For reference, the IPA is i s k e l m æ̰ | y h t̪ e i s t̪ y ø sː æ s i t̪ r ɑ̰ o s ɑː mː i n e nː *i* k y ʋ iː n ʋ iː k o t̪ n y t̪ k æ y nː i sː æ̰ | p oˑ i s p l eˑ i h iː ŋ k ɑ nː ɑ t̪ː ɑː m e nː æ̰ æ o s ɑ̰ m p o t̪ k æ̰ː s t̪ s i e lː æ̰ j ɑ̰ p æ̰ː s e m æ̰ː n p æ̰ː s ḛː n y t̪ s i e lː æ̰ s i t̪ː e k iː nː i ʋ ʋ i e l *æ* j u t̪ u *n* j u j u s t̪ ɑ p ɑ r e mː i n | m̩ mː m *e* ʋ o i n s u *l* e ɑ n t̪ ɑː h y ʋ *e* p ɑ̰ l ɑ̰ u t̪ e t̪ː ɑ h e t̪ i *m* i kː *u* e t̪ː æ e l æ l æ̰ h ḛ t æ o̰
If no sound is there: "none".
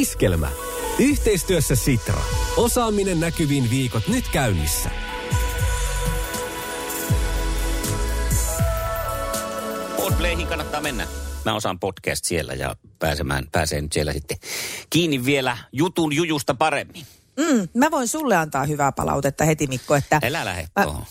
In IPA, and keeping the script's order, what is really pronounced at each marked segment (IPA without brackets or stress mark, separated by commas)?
æ, æ, n, æ, lː, æ, m, o